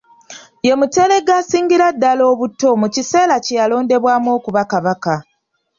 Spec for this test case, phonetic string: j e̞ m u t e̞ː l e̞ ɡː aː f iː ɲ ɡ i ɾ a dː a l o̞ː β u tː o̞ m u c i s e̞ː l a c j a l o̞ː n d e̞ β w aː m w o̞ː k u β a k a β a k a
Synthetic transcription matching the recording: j e̞ m u t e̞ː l e̞ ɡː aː s iː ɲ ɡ i ɾ a dː a l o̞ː β u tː o̞ m u c i s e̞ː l a c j a l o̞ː n d e̞ β w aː m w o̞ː k u β a k a β a k a

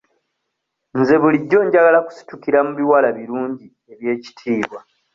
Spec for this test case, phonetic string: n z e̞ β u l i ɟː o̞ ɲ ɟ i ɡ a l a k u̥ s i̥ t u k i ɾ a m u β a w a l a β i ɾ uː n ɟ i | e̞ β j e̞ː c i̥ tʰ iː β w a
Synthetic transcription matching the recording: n z e̞ β u l i ɟː o̞ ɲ ɟ a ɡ a l a k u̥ s i̥ t u k i ɾ a m u β i w a l a β i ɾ uː ɲ ɟ i | e̞ β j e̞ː c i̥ tʰ iː β w a

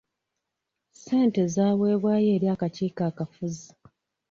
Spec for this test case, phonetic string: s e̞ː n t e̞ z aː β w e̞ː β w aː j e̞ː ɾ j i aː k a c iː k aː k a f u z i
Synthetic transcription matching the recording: s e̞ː n t e̞ z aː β w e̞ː β w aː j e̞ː ɾ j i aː k a c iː k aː k a f u z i

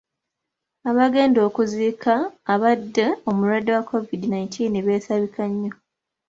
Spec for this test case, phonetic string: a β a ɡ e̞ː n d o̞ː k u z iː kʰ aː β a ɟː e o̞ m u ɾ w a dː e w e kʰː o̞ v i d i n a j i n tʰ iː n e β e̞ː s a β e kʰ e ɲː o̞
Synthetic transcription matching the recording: a β a ɡ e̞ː n d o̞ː k u z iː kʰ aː β a dː e o̞ m u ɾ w a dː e w a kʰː o̞ v i d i n a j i n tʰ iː n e β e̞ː s a β i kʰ a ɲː o̞

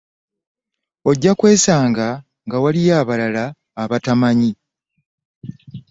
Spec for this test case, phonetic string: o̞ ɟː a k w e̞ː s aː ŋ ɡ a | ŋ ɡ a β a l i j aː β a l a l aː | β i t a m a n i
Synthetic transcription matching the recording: o̞ ɟː a k w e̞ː s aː ŋ ɡ a | ŋ ɡ a w a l i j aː β a l a l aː | β a t a m a ɲ i

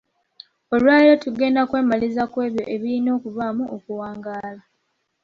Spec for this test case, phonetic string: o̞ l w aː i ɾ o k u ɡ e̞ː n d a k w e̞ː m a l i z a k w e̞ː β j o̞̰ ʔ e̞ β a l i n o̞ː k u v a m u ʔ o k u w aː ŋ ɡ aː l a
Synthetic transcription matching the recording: o̞ l w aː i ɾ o t u ɡ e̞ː n d a k w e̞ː m a l i z a k w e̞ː β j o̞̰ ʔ e̞ β i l i n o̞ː k u v a m u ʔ o k u w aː ŋ ɡ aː l a

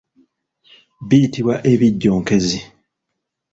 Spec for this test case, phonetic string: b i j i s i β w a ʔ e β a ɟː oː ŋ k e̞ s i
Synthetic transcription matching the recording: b i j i t i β w a ʔ e β i ɟː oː ŋ k e̞ z i

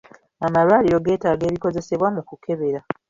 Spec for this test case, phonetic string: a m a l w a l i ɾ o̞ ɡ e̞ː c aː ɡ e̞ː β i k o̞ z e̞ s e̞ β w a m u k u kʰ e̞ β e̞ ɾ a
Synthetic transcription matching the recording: a m a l w a l i ɾ o̞ ɡ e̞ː t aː ɡ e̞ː β i k o̞ z e̞ s e̞ β w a m u k u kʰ e̞ β e̞ ɾ a

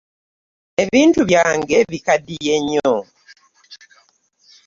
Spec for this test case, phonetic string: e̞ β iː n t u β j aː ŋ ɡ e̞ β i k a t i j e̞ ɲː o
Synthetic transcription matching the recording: e̞ β iː n t u β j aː ŋ ɡ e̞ β i k a d i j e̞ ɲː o

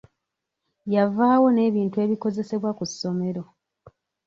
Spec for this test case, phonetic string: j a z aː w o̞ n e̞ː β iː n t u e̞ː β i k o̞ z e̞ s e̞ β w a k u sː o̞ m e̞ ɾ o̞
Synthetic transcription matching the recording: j a v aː w o̞ n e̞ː β iː n t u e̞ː β i k o̞ z e̞ s e̞ β w a k u sː o̞ m e̞ ɾ o̞

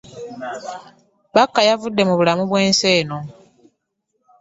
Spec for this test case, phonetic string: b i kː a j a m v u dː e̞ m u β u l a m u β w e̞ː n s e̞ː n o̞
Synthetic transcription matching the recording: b a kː a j a v u dː e̞ m u β u l a m u β w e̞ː n s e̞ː n o̞

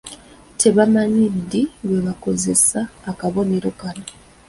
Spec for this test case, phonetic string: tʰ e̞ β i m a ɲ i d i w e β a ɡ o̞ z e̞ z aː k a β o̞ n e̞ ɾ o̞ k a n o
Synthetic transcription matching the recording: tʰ e̞ β a m a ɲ i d i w e β a k o̞ z e̞ s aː k a β o̞ n e̞ ɾ o̞ k a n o

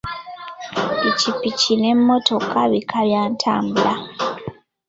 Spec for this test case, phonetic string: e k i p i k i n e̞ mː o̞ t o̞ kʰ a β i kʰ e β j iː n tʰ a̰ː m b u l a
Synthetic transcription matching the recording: e c i p i c i n e̞ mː o̞ t o̞ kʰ a β i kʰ a β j aː n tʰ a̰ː m b u l a

